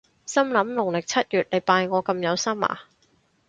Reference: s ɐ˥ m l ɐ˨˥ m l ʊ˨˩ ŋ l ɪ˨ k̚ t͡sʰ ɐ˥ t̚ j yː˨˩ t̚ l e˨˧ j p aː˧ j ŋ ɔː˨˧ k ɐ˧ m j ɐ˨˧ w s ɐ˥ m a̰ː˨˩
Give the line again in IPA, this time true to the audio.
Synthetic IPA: s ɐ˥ m l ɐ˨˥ m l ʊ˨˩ ŋ l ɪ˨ k̚ t͡sʰ ɐ˥ t̚ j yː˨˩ t̚ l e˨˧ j p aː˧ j ŋ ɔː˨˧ k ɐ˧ m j ɐ˨˧ w s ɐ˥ m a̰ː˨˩